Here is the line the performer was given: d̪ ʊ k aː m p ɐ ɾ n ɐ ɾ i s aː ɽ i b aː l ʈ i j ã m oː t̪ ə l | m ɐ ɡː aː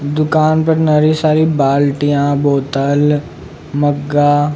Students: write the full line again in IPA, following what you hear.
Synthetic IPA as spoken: d̪ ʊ k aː n p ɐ ɾ n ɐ ɾ i s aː ɾ i b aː l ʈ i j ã b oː t̪ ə l | m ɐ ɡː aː